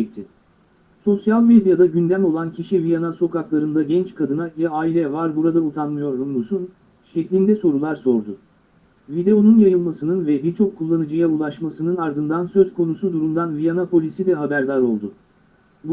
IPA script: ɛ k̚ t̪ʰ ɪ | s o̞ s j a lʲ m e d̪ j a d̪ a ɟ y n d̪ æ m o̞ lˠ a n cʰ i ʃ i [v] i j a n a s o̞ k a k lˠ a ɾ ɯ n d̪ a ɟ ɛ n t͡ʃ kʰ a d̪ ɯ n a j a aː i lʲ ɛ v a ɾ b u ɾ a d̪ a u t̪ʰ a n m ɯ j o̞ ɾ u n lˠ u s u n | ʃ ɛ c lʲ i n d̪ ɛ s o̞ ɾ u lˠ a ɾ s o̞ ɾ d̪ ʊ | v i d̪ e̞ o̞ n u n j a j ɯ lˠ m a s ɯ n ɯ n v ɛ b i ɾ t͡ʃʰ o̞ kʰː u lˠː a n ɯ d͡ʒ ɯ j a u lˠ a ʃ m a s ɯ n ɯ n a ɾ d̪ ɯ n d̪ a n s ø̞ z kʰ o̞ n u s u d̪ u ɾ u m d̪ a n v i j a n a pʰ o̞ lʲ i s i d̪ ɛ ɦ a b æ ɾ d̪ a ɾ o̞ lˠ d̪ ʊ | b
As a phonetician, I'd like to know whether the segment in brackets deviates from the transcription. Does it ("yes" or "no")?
no